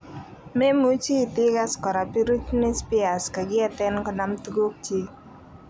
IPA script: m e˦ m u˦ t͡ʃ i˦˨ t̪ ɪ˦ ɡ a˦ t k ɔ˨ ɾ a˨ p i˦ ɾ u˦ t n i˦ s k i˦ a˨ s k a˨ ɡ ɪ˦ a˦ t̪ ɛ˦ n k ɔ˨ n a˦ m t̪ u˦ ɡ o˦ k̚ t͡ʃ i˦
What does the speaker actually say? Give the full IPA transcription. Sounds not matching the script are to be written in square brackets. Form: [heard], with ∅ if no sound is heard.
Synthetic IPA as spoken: m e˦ m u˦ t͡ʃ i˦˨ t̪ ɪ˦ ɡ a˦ [s] k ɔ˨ ɾ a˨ p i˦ ɾ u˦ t n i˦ s [p] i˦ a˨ s k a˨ ɡ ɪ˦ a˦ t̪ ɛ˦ n k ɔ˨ n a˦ m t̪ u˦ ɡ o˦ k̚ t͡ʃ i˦

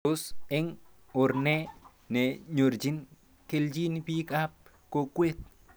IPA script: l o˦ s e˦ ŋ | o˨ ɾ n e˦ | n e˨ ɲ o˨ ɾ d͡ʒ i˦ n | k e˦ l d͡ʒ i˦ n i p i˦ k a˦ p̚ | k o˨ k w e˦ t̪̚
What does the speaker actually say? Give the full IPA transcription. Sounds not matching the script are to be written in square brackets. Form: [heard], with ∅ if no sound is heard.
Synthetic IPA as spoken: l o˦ s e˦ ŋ | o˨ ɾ n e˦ | n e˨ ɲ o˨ ɾ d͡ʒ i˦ n | k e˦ l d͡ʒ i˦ n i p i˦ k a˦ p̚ | k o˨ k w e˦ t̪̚

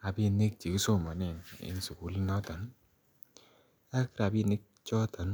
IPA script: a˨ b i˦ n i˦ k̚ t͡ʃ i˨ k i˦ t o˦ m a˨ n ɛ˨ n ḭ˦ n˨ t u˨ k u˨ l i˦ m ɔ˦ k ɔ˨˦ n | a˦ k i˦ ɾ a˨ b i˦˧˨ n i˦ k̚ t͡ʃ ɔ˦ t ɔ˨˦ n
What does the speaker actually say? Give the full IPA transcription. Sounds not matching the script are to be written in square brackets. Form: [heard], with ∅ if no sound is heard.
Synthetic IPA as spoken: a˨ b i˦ n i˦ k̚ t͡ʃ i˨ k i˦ [s] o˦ m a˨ n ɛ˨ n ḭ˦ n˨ [s] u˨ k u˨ l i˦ [n] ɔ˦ [t] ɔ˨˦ n | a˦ k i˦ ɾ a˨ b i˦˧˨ n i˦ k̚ t͡ʃ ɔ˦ t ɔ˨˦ n

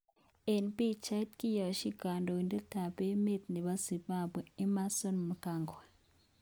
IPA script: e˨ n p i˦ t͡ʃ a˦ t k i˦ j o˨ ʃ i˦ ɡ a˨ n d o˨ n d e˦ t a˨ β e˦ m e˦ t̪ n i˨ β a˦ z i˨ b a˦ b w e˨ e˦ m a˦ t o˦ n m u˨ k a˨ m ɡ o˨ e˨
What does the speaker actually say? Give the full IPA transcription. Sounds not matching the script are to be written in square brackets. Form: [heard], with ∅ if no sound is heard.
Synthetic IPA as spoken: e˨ n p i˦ t͡ʃ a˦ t k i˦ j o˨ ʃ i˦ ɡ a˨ n d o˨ n d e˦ t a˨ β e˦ m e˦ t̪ n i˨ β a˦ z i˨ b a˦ b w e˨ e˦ m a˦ [s] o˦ n m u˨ k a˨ [ŋ] ɡ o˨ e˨

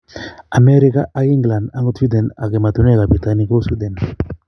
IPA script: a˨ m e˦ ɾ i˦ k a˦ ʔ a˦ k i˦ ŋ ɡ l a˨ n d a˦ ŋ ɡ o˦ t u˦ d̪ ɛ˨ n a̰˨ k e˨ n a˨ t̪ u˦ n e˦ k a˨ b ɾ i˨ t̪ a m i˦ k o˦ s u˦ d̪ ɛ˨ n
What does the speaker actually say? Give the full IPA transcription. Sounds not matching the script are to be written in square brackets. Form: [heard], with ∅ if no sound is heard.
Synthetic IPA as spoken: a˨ m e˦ ɾ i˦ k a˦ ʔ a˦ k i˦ ŋ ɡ l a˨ n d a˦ ŋ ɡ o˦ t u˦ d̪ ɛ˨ n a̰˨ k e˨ [m] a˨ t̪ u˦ n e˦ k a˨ b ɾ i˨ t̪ a [n] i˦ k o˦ s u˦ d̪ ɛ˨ n

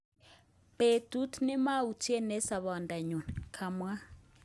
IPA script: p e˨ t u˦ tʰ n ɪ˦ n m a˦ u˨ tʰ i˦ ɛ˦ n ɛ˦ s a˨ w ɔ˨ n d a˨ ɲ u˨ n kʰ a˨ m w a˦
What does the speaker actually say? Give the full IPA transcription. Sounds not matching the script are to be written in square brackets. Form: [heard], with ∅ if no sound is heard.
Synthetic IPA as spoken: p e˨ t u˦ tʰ n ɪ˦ [∅] m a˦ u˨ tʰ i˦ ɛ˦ n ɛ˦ s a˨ [β] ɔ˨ n d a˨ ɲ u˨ n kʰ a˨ m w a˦

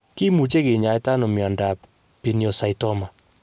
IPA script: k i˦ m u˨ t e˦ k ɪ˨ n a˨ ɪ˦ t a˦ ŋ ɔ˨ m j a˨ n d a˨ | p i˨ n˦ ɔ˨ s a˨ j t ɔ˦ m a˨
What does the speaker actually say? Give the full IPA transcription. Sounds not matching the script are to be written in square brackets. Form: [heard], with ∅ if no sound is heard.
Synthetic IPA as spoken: k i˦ m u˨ [t͡ʃ] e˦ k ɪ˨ [ɲ] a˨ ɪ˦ t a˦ [n] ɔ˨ m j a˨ n d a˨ | p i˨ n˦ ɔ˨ s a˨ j t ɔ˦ m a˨

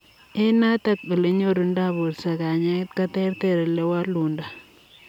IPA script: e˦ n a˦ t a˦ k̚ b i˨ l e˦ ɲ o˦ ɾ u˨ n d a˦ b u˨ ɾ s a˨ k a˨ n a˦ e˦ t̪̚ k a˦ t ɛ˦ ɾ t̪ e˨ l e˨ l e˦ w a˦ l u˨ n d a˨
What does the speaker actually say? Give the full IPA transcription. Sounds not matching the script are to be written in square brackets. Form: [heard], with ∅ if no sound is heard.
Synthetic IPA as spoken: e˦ n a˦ t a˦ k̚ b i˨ l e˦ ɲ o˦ ɾ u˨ n d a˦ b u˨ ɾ s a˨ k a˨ [ɲ] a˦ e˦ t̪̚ k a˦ t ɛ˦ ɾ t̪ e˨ [ɾ] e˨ l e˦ w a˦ l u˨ n d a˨

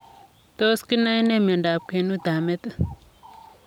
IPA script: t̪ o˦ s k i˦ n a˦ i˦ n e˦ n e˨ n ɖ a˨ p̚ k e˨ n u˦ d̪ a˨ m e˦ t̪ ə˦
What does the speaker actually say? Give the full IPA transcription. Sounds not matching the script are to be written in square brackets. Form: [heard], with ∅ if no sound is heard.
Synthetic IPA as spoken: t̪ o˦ s k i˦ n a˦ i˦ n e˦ [m] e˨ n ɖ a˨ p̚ k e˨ n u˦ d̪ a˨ m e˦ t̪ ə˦

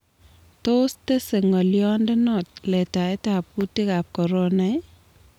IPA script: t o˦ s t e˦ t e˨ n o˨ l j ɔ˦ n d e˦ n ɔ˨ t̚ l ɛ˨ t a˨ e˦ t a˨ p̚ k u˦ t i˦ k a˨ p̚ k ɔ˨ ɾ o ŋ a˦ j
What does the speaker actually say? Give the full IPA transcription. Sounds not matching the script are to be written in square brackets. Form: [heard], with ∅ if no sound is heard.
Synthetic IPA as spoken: t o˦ s t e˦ [s] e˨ [ŋ] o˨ l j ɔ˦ n d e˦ n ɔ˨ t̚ l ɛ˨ t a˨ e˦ t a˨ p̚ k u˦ t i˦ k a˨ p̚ k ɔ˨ ɾ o [n] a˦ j

